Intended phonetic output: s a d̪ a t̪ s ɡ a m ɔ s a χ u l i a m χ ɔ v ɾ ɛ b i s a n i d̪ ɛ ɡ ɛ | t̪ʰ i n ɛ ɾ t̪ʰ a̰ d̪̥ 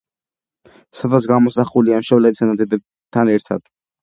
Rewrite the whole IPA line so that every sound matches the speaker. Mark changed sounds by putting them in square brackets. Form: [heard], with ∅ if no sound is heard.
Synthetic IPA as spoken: s a d̪ a t̪ s ɡ a m ɔ s a χ u l i a m [ʃ] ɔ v [l] ɛ b i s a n [a] d̪ ɛ [b] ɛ | t̪ʰ [a] n ɛ ɾ t̪ʰ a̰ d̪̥